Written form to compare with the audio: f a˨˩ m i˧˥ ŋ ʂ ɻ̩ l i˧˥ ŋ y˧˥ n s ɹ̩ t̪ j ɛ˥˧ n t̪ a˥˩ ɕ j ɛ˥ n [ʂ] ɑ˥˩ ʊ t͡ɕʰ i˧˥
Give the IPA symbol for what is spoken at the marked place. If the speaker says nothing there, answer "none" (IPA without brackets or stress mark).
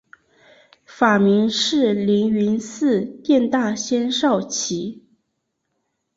ʂ